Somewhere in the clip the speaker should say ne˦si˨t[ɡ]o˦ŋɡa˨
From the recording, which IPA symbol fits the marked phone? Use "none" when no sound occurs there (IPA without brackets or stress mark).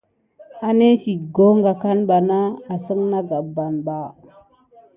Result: ɡ